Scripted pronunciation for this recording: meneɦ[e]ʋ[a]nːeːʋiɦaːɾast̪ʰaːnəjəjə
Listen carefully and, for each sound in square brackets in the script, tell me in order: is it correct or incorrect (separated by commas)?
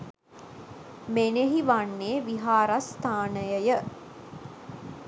incorrect, correct